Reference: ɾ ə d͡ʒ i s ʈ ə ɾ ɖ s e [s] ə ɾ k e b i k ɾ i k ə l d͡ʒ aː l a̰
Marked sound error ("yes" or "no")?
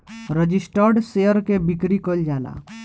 yes